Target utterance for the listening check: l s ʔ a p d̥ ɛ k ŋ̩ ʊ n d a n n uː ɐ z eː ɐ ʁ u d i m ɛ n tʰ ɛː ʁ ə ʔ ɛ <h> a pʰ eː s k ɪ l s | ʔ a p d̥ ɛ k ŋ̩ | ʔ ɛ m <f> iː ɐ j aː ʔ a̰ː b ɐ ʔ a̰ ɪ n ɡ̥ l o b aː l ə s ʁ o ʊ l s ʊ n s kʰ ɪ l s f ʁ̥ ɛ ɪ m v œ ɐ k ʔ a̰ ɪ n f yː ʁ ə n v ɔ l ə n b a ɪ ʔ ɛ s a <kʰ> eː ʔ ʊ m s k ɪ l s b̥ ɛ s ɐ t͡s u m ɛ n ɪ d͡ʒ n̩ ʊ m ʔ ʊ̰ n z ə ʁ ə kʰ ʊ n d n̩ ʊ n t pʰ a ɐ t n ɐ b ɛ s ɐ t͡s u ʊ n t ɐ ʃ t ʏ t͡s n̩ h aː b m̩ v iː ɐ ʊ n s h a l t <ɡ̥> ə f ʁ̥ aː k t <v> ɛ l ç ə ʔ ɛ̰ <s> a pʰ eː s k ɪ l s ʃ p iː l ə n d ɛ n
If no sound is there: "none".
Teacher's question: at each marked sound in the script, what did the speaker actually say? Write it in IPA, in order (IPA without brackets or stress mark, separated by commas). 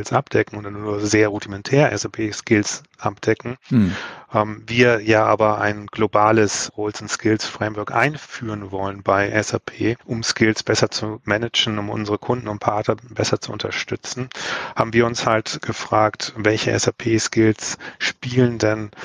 s, v, pʰ, ɡ̥, v, s